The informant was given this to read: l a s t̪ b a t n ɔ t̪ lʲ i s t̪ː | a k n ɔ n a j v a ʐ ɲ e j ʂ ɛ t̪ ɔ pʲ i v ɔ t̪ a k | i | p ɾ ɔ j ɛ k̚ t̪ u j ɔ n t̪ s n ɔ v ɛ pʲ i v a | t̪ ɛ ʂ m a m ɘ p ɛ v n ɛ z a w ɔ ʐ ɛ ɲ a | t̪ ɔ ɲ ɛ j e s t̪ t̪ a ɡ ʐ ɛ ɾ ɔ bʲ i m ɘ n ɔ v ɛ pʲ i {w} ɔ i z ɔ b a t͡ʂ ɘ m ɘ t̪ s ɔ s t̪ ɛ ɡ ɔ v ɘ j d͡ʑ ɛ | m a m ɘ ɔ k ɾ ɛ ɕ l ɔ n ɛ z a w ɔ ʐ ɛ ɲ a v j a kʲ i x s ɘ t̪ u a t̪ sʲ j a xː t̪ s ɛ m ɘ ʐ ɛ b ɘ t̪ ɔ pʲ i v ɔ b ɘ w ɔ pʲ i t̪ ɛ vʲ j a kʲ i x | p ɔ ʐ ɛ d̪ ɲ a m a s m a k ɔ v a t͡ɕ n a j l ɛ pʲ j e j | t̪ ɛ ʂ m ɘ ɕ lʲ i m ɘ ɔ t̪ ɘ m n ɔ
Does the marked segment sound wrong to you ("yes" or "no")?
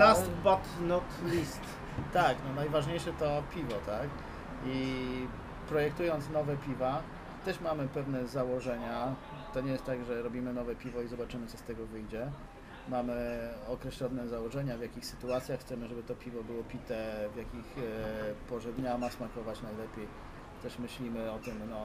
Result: yes